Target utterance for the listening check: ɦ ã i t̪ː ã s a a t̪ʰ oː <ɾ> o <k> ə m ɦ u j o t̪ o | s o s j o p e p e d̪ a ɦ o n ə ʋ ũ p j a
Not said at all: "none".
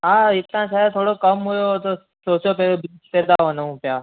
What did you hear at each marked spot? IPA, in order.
ɽ, k

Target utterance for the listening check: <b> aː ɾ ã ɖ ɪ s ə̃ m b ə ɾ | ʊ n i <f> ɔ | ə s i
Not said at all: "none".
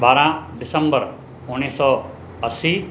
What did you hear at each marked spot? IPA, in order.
b, s

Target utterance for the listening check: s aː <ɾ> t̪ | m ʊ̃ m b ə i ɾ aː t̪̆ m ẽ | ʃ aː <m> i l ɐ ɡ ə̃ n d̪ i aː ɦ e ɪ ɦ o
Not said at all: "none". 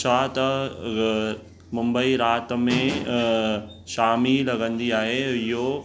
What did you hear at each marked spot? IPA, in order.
none, m

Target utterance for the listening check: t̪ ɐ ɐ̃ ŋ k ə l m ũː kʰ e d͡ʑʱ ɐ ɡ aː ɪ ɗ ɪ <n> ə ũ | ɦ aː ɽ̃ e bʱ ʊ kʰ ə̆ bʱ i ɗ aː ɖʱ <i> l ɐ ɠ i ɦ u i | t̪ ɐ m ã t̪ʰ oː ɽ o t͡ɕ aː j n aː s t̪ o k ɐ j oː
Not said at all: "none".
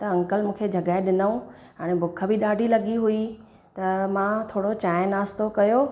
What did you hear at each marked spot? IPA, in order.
n, i

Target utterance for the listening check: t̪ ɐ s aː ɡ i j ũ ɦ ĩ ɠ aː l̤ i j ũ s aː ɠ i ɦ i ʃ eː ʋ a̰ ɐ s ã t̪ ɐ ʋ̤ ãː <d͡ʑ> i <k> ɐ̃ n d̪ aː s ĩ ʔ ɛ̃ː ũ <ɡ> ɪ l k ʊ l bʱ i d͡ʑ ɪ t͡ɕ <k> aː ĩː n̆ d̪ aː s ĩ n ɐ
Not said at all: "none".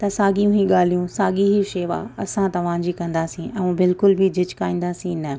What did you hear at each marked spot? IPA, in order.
d͡ʑ, k, b, k

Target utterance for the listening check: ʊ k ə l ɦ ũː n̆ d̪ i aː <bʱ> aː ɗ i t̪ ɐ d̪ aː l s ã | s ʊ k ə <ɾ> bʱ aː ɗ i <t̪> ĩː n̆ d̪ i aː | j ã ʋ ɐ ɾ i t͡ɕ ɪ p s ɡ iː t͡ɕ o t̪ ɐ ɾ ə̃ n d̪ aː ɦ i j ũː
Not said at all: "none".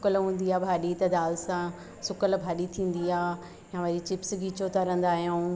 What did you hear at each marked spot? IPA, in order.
bʱ, l, t̪ʰ

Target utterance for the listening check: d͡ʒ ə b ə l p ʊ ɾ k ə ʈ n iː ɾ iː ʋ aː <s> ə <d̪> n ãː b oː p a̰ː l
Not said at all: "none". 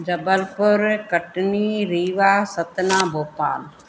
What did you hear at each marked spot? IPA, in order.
s, t̪

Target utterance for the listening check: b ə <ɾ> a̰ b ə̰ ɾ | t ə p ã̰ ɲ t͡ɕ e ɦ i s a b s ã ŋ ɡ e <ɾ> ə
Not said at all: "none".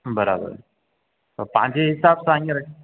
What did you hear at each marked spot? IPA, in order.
ɾ, ɾ

